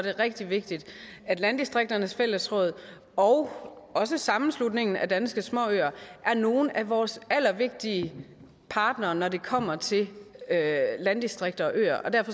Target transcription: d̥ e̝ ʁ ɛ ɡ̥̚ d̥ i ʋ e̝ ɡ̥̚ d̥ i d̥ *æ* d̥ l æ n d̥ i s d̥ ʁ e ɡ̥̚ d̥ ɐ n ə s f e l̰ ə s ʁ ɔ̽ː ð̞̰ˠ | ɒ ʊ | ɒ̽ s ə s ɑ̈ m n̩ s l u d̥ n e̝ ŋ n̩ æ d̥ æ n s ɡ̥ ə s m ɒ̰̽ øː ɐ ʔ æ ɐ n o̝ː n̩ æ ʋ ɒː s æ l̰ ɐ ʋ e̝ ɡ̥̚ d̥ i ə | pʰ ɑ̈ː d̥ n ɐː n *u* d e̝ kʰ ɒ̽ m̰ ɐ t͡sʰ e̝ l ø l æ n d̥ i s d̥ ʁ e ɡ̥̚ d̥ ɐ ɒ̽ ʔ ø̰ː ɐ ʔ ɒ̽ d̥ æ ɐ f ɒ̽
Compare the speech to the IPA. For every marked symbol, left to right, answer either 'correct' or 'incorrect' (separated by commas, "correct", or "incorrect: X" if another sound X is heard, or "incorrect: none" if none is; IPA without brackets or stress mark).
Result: correct, incorrect: ɒ